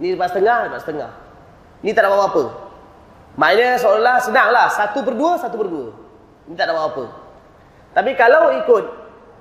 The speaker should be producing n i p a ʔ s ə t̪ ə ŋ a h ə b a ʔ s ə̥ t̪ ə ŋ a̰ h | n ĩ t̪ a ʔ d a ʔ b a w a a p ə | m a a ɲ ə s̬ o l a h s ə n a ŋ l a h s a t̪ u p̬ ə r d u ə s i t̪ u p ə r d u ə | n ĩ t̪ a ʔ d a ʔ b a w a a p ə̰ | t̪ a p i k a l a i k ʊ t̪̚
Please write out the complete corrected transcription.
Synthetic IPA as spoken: n i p a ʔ s ə t̪ ə ŋ a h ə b a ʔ s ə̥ t̪ ə ŋ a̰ h | n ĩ t̪ a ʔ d a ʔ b a w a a p ə | m a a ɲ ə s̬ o l a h s ə n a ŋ l a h s a t̪ u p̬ ə r d u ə s a t̪ u p ə r d u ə | n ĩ t̪ a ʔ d a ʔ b a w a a p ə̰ | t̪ a p i k a l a i k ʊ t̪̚